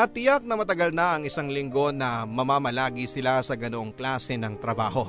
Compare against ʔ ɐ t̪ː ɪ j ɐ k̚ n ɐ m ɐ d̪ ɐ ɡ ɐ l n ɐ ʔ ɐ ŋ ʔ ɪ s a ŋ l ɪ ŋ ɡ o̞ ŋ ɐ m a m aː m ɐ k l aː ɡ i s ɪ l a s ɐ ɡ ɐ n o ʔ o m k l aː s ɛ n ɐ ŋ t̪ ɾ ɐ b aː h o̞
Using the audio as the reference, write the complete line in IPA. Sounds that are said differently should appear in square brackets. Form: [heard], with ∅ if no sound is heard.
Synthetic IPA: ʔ ɐ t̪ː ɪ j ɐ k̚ n ɐ m ɐ [t̪] ɐ ɡ ɐ l n ɐ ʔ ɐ ŋ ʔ ɪ s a ŋ l ɪ ŋ ɡ o̞ [n] ɐ m [ɐ] m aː m ɐ [∅] l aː ɡ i s ɪ l a s ɐ ɡ ɐ n o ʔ o [ŋ] k l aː s ɛ n ɐ ŋ t̪ ɾ ɐ b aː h o̞